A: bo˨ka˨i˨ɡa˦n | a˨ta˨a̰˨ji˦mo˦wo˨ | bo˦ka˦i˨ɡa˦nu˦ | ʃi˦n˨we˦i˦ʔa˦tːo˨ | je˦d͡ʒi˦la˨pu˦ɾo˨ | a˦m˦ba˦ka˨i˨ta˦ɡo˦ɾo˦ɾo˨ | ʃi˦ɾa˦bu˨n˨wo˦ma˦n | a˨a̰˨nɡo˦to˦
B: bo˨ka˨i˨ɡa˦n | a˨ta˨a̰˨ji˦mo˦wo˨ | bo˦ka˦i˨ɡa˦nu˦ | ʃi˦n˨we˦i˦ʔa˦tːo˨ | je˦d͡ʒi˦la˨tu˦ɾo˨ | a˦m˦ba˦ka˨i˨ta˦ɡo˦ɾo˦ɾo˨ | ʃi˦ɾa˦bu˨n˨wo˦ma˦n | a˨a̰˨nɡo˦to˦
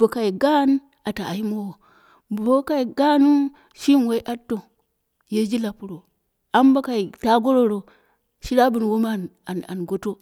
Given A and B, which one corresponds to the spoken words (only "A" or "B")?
A